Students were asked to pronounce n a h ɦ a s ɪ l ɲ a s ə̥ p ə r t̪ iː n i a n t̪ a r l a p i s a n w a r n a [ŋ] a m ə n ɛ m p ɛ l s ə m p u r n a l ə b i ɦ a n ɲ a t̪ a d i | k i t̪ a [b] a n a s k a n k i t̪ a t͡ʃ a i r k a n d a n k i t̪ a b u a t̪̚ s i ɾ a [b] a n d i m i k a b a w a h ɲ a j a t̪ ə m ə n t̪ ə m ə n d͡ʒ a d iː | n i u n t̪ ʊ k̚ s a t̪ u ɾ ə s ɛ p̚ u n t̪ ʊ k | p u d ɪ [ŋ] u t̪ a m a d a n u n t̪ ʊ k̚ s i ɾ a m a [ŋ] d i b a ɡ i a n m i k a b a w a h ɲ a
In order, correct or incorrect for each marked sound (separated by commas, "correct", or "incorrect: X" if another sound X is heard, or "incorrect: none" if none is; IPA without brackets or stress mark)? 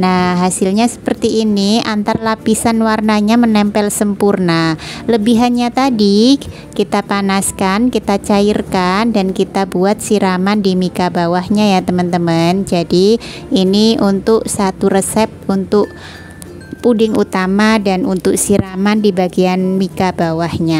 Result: incorrect: ɲ, incorrect: p, incorrect: m, correct, incorrect: n